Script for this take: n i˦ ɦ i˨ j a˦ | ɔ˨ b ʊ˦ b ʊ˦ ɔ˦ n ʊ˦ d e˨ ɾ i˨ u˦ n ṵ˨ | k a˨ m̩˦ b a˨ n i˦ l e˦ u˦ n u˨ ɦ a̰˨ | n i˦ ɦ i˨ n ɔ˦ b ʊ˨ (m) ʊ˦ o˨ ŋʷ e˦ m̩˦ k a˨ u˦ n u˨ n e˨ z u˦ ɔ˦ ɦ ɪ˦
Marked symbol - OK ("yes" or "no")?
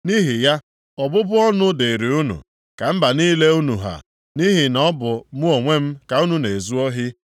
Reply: yes